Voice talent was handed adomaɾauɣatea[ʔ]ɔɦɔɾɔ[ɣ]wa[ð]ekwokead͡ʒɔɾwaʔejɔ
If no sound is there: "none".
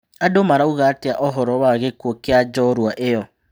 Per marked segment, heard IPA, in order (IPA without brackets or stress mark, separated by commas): ʔ, none, ɣ